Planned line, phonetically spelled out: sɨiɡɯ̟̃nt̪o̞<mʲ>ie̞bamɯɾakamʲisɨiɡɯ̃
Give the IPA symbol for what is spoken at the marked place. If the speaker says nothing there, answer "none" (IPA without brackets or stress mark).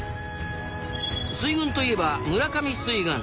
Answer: none